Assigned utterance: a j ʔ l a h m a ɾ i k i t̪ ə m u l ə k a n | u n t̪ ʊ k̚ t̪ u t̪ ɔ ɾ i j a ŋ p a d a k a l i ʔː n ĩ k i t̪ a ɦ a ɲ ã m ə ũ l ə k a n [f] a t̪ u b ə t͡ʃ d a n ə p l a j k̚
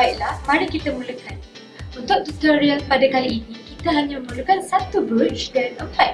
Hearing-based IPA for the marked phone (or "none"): s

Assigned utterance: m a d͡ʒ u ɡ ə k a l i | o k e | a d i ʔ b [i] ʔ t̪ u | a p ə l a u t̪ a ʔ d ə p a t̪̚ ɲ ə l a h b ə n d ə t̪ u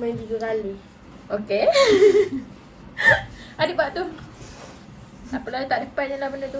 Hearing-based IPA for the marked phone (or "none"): a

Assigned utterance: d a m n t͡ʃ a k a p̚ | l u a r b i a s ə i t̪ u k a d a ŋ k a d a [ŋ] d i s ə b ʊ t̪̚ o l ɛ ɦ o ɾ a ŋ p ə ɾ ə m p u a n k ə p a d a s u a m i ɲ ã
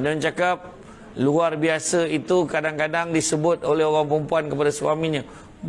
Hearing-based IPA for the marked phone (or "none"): ŋ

